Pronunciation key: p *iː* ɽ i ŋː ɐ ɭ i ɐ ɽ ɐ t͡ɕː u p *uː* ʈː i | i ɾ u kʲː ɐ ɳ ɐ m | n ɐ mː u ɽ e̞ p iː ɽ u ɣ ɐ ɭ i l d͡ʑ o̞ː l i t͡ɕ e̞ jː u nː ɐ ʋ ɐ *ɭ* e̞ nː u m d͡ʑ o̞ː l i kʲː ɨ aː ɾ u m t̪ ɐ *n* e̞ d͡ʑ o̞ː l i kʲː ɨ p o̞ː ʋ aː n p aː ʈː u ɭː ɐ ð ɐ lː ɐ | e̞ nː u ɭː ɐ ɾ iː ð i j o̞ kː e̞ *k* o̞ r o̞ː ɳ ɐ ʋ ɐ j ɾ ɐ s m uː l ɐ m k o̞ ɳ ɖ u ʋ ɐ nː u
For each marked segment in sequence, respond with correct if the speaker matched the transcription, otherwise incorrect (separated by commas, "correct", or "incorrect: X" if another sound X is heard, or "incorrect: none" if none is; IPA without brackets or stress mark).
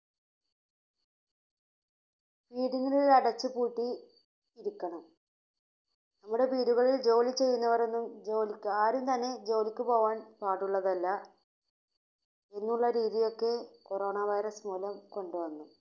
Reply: correct, correct, incorrect: r, incorrect: nː, correct